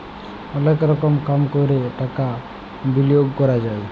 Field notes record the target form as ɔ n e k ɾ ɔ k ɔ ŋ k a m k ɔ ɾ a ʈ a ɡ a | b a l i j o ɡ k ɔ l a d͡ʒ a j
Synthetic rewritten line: ɔ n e k ɾ ɔ k ɔ m k a m k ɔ ɾ e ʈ a k a | b i l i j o ɡ k ɔ ɾ a d͡ʒ a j